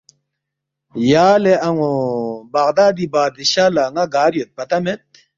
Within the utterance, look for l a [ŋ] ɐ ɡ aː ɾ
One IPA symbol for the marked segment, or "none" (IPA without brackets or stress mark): ŋ